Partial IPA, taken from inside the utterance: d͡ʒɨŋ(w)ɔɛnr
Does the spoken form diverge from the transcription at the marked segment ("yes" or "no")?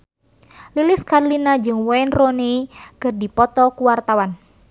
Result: no